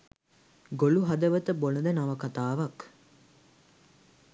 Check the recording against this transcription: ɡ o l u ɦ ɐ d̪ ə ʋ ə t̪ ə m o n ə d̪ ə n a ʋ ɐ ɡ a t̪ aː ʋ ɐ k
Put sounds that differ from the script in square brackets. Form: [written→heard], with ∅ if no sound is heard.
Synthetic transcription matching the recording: ɡ o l u ɦ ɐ d̪ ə ʋ ə t̪ ə [m→b] o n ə d̪ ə n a ʋ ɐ [ɡ→k] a t̪ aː ʋ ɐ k